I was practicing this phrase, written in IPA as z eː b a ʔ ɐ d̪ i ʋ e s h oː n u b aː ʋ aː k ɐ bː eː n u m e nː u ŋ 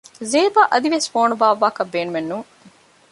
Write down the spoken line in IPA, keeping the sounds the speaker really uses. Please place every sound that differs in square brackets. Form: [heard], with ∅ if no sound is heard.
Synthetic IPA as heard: z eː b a ʔ ɐ d̪ i ʋ e s [f] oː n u b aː ʋ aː k ɐ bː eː n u m e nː u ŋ